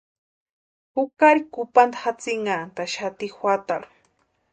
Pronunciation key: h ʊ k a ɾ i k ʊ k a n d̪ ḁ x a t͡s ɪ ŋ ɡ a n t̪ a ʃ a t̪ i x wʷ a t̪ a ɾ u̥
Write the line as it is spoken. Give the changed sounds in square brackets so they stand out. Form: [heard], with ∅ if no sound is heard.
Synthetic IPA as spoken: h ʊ k a ɾ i k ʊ [p] a n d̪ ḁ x a t͡s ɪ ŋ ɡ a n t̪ a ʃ a t̪ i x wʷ a t̪ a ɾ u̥